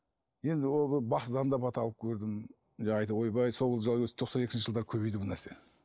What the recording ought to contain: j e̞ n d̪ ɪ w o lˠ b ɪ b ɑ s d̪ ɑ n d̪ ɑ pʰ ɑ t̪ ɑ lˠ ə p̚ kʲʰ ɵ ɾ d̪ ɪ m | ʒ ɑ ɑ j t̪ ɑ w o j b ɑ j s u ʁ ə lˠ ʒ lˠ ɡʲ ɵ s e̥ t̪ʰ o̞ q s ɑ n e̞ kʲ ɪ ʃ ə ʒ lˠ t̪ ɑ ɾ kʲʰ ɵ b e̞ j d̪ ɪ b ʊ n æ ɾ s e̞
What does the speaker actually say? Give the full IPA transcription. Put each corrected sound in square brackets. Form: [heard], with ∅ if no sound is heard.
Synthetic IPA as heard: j e̞ n d̪ ɪ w o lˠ b ɪ b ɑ s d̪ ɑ n d̪ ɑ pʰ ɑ t̪ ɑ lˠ ə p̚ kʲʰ ɵ ɾ d̪ ɪ m | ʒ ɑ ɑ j t̪ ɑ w o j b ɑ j s [o] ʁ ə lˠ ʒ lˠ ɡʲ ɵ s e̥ t̪ʰ o̞ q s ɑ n e̞ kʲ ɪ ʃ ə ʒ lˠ [d̪] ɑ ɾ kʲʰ ɵ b e̞ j d̪ ɪ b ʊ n æ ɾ s e̞

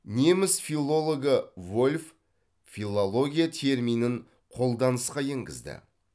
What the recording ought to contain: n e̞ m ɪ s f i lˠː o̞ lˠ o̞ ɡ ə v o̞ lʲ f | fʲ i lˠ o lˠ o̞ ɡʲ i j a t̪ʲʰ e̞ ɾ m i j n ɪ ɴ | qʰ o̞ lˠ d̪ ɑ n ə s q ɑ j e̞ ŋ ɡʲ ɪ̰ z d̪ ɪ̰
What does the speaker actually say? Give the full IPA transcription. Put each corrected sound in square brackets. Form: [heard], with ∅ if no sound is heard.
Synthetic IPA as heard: n e̞ m ɪ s f i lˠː o̞ lˠ o̞ ɡ ə v o̞ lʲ f | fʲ i lˠ o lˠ o̞ ɡʲ i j a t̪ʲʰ e̞ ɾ m i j n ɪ ɴ | qʰ o̞ lˠ d̪ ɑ n ə s q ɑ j e̞ ŋ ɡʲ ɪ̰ z d̪ ɪ̰

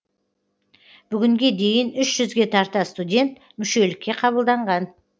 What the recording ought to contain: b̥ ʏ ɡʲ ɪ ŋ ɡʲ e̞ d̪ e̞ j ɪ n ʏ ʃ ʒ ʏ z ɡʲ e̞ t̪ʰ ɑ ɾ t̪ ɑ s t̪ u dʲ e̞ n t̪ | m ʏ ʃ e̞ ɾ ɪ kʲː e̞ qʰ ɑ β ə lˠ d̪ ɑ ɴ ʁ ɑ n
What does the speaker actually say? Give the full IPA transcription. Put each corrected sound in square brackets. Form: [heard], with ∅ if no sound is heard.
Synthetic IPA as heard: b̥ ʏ ɡʲ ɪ ŋ ɡʲ e̞ d̪ e̞ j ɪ n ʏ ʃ ʒ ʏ z ɡʲ e̞ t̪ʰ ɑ ɾ t̪ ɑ s t̪ u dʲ e̞ n t̪ | m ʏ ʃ e̞ [l] ɪ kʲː e̞ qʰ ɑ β ə lˠ d̪ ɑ ɴ ʁ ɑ n

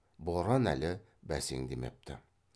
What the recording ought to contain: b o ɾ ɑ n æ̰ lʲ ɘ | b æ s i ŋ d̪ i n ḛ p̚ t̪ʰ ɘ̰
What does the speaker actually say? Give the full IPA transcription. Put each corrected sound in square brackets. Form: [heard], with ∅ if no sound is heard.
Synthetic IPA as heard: b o ɾ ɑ n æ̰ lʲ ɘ | b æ s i ŋ d̪ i [m] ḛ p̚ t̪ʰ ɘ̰

